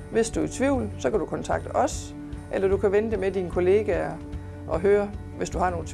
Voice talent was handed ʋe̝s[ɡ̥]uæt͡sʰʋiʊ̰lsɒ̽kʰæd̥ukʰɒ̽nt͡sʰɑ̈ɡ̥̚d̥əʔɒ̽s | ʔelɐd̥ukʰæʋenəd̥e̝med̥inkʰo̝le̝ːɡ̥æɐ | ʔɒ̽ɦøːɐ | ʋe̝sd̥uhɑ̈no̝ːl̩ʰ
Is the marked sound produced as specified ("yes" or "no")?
no